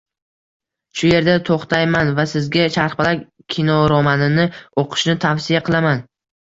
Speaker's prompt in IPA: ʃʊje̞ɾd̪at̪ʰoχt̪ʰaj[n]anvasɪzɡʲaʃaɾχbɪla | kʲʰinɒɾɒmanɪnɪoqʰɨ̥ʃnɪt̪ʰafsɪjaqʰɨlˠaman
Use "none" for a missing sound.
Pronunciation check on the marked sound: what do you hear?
m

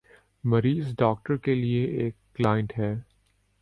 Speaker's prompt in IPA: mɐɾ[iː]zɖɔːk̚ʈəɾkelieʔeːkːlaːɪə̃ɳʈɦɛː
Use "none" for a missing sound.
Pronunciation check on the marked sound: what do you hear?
iː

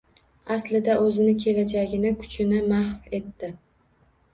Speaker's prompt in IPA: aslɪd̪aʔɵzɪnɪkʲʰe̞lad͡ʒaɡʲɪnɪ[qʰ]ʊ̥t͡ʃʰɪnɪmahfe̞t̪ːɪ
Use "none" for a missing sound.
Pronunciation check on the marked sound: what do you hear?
kʰ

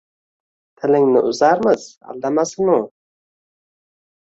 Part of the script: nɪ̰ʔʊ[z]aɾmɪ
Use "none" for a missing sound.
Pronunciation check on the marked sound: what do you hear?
z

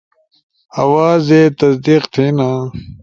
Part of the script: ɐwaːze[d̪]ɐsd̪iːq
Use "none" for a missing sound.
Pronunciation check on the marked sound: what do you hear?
t̪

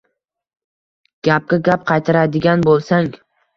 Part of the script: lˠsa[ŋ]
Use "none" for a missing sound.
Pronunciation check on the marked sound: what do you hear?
ŋ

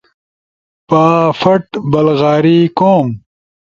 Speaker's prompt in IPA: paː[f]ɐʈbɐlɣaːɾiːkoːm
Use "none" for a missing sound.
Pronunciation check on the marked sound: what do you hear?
f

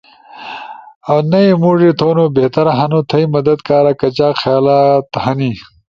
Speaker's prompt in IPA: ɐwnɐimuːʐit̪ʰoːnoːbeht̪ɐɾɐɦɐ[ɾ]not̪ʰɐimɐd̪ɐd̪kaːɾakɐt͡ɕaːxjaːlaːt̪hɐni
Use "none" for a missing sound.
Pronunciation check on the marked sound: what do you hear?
none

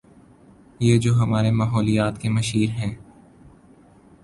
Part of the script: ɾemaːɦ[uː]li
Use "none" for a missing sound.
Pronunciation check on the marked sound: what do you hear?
ɔː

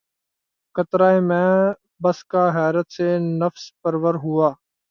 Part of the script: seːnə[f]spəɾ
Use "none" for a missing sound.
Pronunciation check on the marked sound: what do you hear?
f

